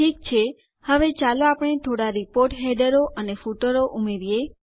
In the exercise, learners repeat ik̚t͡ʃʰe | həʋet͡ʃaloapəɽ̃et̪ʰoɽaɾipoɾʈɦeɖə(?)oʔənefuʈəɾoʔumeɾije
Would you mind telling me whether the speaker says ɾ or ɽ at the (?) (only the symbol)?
ɾ